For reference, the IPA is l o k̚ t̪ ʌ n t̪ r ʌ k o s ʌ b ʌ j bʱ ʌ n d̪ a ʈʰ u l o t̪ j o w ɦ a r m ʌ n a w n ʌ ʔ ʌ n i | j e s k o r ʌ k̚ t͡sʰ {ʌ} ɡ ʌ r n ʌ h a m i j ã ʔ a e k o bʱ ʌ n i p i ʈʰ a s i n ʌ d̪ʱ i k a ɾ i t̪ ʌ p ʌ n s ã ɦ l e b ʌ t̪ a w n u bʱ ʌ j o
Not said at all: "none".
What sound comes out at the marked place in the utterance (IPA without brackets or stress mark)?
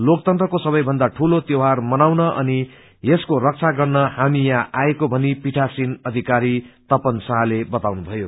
a